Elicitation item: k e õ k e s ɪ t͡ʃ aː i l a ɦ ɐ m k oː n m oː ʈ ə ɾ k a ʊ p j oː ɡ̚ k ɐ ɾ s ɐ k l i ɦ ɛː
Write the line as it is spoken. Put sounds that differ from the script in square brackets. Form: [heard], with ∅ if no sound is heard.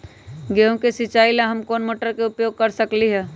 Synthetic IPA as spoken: [ɡ] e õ k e s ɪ t͡ʃ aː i l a ɦ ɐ m k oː n m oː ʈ ə ɾ k [e] ʊ p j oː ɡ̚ k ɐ ɾ s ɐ k l i ɦ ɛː